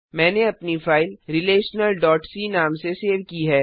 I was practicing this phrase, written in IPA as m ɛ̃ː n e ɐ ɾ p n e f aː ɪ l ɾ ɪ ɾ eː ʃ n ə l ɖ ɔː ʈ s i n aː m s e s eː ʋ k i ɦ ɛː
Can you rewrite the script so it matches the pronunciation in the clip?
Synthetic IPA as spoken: m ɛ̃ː n e ɐ p n i f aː ɪ l ɾ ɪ l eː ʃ n ə l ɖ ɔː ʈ s i n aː m s e s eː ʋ k i ɦ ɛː